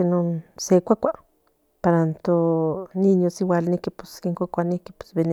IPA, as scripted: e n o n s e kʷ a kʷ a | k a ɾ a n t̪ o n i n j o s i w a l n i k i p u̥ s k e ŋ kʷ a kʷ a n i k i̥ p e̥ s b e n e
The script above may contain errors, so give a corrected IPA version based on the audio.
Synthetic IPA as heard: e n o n s e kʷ a kʷ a | p a ɾ a n t̪ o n i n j o s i w a l n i k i p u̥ s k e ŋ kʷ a kʷ a n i k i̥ p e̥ s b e n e